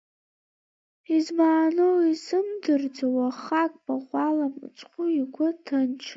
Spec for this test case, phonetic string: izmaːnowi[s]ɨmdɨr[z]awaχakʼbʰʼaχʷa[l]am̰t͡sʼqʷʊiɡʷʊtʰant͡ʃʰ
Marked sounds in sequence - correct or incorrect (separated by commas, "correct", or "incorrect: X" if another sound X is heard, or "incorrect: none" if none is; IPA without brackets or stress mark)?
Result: correct, incorrect: d͡z, correct